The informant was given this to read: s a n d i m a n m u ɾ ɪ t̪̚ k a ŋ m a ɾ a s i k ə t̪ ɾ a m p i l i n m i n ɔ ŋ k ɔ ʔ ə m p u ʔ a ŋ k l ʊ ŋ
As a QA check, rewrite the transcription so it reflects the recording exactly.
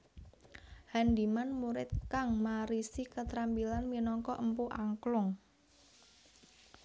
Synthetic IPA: h a n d i m a n m u ɾ ɪ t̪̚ k a ŋ m a ɾ i s i k ə t̪ ɾ a m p i l a n m i n ɔ ŋ k ɔ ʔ ə m p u ʔ a ŋ k l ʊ ŋ